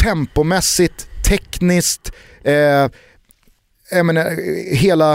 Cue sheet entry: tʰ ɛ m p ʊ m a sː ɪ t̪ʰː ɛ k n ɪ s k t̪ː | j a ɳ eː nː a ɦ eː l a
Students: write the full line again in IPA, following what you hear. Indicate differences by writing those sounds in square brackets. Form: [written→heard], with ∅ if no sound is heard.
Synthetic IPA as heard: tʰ ɛ m p ʊ m [a→ɛ] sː ɪ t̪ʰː ɛ k n ɪ s k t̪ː | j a [ɳ→m] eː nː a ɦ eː l a